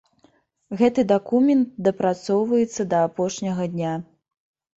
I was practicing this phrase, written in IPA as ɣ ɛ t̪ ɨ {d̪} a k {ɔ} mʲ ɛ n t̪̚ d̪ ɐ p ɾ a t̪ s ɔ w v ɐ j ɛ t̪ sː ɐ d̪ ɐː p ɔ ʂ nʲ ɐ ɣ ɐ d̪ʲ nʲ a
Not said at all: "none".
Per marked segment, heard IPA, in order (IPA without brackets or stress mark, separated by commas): d̪, u